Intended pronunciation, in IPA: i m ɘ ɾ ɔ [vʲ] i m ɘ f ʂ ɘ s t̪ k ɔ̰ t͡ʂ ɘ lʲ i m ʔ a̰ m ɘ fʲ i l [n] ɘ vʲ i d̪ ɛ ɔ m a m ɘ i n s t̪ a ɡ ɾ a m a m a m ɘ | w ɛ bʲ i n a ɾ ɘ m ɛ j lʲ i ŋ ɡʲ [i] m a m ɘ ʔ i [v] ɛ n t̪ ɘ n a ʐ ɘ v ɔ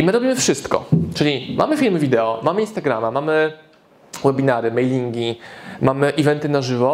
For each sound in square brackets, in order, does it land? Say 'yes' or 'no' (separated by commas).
no, no, yes, yes